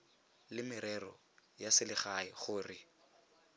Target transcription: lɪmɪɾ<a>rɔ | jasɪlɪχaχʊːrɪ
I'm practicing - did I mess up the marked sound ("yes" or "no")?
yes